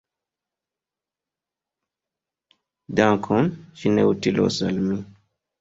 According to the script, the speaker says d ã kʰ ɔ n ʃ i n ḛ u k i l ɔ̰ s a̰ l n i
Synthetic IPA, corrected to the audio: d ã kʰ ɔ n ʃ i n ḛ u t i l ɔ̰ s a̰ l m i